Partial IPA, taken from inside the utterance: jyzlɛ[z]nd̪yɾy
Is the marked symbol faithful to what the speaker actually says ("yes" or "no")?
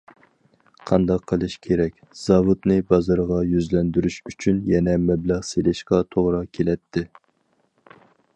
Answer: no